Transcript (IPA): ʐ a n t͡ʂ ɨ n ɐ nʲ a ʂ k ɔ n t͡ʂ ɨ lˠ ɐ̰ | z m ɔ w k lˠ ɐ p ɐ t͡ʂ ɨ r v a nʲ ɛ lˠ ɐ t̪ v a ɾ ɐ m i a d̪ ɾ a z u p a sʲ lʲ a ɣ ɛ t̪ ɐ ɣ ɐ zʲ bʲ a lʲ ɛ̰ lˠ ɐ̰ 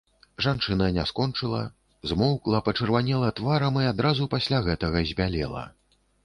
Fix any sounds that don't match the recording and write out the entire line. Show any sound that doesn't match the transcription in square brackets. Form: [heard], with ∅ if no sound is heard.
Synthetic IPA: ʐ a n t͡ʂ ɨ n ɐ nʲ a [s] k ɔ n t͡ʂ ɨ lˠ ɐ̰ | z m ɔ w k lˠ ɐ p ɐ t͡ʂ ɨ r v a nʲ ɛ lˠ ɐ t̪ v a ɾ ɐ m i a d̪ ɾ a z u p a sʲ lʲ a ɣ ɛ t̪ ɐ ɣ ɐ zʲ bʲ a lʲ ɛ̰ lˠ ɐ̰